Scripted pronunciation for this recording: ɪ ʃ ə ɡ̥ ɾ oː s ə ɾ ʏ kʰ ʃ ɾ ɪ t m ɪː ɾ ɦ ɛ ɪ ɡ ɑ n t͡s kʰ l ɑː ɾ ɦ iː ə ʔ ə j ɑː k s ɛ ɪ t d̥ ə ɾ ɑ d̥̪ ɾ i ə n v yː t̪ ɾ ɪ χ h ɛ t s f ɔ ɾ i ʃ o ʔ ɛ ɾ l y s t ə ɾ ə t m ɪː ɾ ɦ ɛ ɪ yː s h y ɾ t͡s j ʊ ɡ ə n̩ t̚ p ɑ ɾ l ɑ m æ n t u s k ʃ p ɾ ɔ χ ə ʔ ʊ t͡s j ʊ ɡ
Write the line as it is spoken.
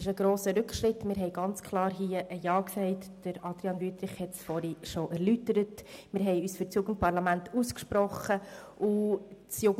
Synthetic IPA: ɪ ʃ ə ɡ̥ ɾ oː s ə ɾ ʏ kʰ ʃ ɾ ɪ t m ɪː ɾ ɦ ɛ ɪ ɡ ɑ n t͡s kʰ l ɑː ɾ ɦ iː ə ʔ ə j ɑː k s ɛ ɪ t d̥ ə ɾ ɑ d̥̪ ɾ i ɑ n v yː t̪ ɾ ɪ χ h ɛ t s f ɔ ɾ i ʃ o ʔ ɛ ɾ l y t ə ɾ ə t m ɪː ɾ ɦ ɛ ɪ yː s f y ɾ t͡s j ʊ ɡ ə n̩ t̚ p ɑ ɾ l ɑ m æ n t u s k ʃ p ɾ ɔ χ ə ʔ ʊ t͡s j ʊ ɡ